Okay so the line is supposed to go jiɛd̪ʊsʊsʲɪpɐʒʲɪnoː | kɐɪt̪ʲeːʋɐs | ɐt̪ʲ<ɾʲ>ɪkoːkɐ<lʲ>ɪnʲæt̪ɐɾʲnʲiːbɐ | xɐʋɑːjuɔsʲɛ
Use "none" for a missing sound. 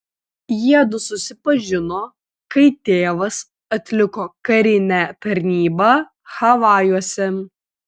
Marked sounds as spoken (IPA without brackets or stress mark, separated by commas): lʲ, ɾʲ